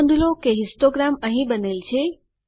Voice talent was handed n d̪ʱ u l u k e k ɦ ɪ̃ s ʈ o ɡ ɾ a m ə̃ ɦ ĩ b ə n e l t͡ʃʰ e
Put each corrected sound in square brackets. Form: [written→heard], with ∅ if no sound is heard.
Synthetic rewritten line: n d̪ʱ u l [u→o] k e [k→∅] ɦ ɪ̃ s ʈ o ɡ ɾ a m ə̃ ɦ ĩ b ə n e l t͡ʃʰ e

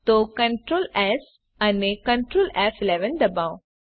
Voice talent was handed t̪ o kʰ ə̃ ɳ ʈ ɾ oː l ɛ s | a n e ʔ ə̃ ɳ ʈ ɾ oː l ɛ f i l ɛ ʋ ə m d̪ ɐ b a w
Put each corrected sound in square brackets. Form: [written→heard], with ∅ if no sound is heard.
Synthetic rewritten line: t̪ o [kʰ→k] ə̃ ɳ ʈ ɾ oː l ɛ s | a n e [ʔ→k] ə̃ ɳ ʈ ɾ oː l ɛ f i l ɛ ʋ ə [m→n] d̪ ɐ b a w

